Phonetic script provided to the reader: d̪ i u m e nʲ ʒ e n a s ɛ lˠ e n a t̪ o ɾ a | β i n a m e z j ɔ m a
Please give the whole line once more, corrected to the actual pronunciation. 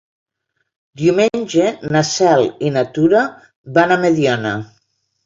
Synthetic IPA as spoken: d̪ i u m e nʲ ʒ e n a s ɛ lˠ i n a t̪ u ɾ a | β a n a m e ð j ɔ n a